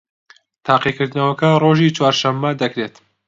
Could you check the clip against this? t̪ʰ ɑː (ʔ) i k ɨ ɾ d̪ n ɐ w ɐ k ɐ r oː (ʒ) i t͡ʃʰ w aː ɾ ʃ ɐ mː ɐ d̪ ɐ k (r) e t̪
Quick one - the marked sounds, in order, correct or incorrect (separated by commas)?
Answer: incorrect, correct, incorrect